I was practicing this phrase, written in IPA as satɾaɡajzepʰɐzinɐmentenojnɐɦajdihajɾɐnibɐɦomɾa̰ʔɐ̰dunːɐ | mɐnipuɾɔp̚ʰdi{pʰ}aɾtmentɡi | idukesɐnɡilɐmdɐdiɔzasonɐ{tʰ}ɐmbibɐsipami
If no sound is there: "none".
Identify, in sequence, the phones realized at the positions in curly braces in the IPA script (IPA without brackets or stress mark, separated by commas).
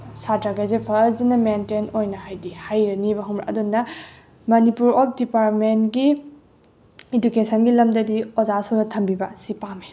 p, tʰ